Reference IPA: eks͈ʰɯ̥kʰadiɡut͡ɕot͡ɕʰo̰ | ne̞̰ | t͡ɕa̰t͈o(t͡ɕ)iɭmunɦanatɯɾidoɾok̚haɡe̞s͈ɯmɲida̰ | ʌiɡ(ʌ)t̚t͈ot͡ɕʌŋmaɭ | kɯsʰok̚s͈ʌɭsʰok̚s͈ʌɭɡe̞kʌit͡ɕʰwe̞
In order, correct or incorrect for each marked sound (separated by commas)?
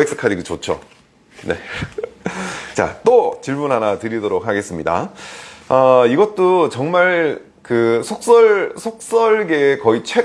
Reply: correct, correct